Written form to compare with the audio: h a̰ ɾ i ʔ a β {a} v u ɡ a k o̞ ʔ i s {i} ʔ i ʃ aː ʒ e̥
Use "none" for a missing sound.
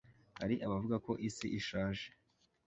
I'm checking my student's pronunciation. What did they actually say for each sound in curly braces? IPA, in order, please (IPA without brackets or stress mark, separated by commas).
a, i